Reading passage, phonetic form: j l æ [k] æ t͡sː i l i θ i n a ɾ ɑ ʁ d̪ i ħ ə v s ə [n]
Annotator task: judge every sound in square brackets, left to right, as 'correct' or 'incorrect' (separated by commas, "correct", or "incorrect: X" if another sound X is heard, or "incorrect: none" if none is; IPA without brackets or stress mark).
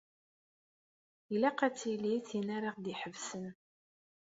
incorrect: q, correct